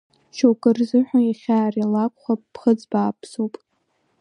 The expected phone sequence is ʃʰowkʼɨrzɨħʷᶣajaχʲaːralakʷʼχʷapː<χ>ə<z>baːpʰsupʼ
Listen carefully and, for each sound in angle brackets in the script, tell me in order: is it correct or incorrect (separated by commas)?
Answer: correct, incorrect